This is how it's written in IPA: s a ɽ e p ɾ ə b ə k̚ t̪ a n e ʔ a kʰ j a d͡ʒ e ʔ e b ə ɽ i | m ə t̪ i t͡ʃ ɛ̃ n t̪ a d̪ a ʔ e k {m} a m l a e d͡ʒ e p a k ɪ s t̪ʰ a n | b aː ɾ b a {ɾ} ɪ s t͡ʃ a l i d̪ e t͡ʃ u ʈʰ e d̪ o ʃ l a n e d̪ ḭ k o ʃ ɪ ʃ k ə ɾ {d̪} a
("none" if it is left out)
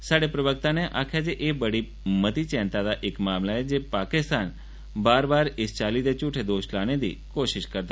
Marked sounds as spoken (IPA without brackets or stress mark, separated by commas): m, ɾ, t̪